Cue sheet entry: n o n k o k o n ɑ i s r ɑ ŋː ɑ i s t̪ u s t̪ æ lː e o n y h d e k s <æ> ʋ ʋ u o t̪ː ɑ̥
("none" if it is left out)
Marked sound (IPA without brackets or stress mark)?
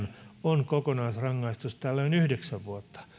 æ